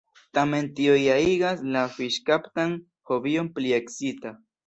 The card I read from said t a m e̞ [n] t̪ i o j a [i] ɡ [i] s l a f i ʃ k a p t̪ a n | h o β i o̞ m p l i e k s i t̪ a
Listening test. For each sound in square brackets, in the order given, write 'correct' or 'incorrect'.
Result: correct, correct, incorrect: a

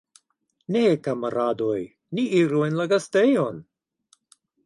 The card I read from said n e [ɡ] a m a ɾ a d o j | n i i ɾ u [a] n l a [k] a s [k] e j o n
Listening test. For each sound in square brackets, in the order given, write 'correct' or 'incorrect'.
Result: incorrect: k, incorrect: e, incorrect: ɡ, incorrect: t

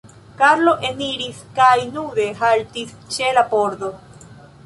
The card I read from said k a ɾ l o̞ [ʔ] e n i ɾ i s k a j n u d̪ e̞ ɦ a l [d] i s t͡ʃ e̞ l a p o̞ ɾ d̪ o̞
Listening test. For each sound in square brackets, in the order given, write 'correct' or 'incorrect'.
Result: correct, incorrect: t

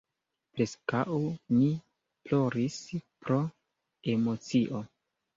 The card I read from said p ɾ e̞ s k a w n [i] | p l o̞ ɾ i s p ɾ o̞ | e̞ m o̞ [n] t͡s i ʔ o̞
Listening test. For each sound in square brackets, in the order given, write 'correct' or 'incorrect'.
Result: correct, incorrect: none

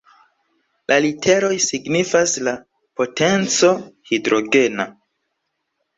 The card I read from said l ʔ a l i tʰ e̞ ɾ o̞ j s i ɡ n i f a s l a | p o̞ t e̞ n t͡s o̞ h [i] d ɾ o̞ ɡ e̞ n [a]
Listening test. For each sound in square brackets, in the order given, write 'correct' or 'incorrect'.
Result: correct, correct

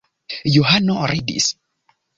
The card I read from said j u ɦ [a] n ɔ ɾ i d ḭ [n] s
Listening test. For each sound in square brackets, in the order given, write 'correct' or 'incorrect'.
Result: correct, incorrect: none

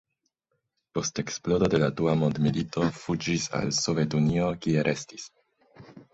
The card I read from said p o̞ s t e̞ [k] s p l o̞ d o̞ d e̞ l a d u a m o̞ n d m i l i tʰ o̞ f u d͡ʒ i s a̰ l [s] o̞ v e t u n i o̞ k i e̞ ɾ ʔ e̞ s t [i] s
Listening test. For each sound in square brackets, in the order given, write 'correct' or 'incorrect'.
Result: correct, correct, correct

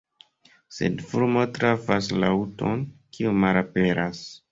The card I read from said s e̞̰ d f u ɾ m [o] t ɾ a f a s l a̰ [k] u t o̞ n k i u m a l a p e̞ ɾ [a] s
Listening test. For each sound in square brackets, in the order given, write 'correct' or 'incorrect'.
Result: correct, incorrect: none, correct

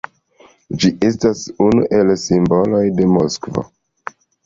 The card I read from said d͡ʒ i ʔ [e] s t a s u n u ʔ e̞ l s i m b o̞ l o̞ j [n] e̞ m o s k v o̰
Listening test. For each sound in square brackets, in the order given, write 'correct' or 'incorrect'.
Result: correct, incorrect: d

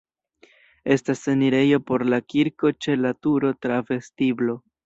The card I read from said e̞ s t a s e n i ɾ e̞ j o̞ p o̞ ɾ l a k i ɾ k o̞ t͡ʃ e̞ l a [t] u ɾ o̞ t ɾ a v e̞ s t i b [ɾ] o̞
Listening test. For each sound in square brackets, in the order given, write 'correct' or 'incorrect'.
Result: correct, incorrect: l

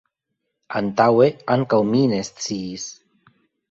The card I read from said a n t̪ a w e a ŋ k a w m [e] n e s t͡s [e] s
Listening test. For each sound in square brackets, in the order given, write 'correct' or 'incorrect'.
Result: incorrect: i, incorrect: i

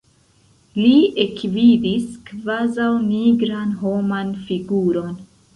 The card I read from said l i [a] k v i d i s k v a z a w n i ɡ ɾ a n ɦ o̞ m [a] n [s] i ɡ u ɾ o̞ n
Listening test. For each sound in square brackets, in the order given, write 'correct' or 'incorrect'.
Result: incorrect: e, correct, incorrect: f

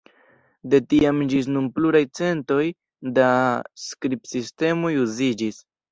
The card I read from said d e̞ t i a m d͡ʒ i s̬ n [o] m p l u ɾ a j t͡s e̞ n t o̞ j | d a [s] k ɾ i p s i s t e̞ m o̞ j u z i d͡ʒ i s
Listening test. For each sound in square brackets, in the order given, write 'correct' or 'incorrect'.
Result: incorrect: u, correct

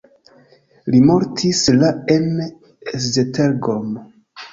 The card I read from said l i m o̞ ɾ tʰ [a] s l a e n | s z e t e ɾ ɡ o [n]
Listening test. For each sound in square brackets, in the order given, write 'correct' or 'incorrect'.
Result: incorrect: i, incorrect: m

